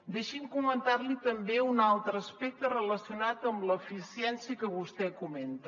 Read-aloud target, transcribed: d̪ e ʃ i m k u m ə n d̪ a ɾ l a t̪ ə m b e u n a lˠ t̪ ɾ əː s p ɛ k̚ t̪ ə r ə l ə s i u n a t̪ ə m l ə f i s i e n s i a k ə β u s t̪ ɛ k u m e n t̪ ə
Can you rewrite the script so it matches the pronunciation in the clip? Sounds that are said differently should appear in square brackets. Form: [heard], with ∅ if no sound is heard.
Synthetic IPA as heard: d̪ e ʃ i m k u m ə n [t̪] a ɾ l [i] t̪ ə m b e u n a lˠ t̪ ɾ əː s p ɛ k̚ t̪ ə r ə l ə s i u n a t̪ ə m l ə f i s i [ɛ] n s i [ə] k ə β u s t̪ ɛ k u m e n t̪ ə